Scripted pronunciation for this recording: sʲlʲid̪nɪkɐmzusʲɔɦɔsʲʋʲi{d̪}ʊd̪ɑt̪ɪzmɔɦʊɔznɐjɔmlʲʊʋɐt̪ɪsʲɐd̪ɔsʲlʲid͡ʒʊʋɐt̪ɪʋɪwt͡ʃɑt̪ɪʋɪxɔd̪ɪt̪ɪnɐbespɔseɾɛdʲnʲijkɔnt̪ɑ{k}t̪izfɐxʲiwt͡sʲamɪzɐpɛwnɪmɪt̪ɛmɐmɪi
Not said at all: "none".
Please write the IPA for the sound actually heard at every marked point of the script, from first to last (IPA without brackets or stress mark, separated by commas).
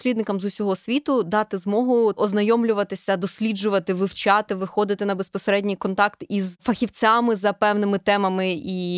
t̪, k